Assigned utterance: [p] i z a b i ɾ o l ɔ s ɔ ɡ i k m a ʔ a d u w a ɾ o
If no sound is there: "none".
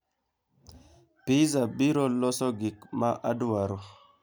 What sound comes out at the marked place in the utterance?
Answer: p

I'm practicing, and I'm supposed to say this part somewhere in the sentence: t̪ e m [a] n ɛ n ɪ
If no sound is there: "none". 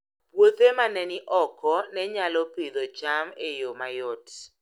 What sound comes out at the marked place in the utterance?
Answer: a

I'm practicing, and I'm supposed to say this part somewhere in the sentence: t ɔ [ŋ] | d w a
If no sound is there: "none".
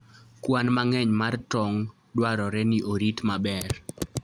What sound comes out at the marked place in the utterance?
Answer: ŋ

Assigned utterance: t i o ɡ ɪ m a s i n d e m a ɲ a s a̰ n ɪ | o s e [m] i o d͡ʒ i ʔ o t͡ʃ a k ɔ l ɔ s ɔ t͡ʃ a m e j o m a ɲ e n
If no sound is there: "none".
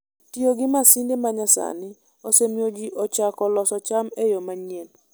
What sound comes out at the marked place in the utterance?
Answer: m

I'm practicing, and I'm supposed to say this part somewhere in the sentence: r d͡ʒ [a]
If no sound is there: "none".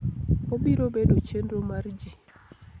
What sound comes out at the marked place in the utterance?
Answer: i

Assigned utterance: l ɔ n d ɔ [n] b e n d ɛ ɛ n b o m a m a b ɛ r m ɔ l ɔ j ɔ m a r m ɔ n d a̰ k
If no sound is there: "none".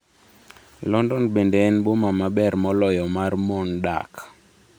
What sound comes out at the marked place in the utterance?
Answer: n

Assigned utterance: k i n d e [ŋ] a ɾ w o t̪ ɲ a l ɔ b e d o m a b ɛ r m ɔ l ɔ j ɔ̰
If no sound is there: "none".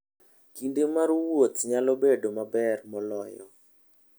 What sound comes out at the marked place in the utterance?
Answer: m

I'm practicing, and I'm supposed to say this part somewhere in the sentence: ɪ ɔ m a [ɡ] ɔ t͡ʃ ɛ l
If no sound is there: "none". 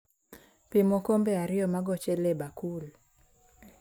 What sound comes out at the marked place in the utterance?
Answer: ɡ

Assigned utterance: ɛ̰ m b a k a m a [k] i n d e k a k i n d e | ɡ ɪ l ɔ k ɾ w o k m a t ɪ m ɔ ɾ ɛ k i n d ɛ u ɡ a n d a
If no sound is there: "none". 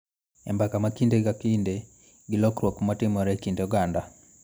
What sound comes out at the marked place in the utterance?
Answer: k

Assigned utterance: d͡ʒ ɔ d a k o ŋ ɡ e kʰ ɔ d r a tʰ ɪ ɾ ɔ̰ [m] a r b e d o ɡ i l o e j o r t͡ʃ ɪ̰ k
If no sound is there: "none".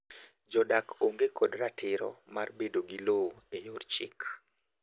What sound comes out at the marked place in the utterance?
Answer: m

